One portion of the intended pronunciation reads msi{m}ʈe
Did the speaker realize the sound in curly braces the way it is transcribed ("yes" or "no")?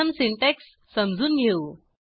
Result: no